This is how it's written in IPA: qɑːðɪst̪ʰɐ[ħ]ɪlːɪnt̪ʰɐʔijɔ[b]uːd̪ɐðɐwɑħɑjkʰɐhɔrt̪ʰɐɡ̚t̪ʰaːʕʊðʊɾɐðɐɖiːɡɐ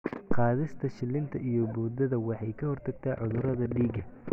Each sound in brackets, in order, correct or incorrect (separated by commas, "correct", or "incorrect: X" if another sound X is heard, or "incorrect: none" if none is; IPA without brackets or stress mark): incorrect: ʃ, correct